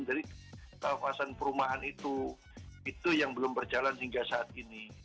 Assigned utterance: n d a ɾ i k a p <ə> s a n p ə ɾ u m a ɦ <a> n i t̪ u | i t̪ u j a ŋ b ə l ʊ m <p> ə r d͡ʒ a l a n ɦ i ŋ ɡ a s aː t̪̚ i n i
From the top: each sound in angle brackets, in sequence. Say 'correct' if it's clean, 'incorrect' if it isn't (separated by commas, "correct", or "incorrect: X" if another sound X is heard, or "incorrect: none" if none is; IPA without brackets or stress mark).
incorrect: a, correct, incorrect: b